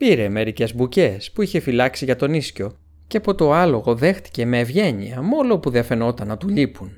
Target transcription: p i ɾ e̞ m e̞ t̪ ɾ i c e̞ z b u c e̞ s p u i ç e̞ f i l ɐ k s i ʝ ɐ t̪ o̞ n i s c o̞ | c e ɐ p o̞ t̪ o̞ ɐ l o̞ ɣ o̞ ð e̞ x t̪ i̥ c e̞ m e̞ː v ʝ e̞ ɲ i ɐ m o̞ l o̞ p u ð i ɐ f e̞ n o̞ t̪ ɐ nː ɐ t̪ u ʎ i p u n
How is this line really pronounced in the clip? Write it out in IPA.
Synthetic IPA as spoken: p i ɾ e̞ m e̞ ɾ i c e̞ z b u c e̞ s p u i ç e̞ f i l ɐ k s i ʝ ɐ t̪ o̞ n i s c o̞ | c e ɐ p o̞ t̪ o̞ ɐ l o̞ ɣ o̞ ð e̞ x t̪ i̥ c e̞ m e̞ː v ʝ e̞ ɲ i ɐ m o̞ l o̞ p u ð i ɐ f e̞ n o̞ t̪ ɐ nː ɐ t̪ u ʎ i p u n